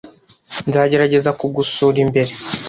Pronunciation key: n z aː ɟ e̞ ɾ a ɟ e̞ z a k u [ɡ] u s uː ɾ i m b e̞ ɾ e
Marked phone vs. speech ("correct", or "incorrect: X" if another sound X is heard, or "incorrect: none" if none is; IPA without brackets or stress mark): correct